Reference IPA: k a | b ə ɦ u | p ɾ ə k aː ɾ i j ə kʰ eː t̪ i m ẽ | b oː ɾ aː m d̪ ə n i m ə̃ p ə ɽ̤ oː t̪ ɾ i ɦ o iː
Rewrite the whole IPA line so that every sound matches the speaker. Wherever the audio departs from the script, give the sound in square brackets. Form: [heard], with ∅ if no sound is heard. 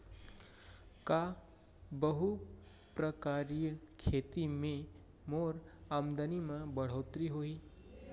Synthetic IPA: k a | b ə ɦ u | p ɾ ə k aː ɾ i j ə kʰ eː t̪ i m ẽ | [m] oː ɾ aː m d̪ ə n i m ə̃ [b] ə ɽ̤ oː t̪ ɾ i ɦ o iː